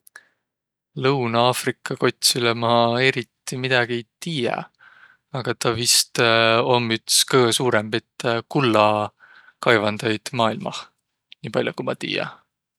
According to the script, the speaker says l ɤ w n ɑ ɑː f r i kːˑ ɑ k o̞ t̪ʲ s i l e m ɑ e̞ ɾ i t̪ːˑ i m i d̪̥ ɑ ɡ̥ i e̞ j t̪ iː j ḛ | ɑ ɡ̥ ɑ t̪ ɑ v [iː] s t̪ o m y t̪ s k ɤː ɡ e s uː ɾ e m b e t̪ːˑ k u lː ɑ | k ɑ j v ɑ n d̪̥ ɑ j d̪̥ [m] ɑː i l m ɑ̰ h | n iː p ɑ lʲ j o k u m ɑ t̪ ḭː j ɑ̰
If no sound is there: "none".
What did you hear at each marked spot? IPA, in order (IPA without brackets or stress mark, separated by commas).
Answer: i, m